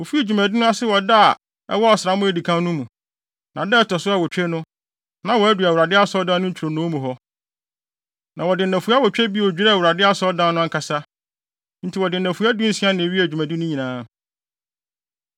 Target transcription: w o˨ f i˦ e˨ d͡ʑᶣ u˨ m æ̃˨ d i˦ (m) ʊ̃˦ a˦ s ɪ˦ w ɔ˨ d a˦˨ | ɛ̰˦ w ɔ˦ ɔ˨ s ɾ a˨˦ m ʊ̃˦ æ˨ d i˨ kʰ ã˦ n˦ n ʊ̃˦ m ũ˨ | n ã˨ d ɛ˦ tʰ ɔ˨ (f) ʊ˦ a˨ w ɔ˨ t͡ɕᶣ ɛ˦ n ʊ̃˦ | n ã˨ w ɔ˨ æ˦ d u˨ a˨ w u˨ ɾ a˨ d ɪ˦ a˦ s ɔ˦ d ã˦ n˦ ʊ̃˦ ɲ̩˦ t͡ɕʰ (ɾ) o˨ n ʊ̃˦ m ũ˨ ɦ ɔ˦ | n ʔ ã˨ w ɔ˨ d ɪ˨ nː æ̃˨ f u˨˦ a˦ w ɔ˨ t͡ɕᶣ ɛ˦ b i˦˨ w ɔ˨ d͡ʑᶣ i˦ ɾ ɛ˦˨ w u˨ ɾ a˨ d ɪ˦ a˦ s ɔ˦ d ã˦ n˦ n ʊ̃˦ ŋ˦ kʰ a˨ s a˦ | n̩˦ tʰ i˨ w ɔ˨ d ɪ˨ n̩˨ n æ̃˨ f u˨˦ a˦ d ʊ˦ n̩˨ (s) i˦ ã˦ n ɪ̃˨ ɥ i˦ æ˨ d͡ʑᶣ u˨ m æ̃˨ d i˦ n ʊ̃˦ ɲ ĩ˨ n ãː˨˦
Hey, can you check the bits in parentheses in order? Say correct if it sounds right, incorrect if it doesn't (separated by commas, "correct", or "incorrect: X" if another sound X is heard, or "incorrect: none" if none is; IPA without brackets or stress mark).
incorrect: n, incorrect: s, correct, correct